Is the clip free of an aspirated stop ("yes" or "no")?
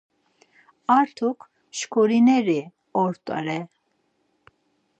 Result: no